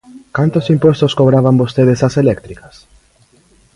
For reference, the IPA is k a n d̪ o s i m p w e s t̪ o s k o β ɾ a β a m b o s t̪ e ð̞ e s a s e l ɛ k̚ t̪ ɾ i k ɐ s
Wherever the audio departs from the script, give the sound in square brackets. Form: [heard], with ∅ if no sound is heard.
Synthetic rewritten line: k a n [t̪] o s i m p w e s t̪ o s k o β ɾ a β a m b o s t̪ e ð̞ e s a s e l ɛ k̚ t̪ ɾ i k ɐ s